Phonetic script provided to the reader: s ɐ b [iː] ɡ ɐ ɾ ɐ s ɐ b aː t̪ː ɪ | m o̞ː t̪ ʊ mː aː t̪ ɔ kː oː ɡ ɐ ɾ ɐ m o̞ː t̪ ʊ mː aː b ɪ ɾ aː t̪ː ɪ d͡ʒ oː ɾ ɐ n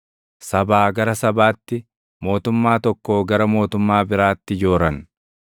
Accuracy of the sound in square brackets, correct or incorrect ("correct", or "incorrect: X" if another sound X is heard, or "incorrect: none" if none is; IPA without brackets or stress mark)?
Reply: incorrect: aː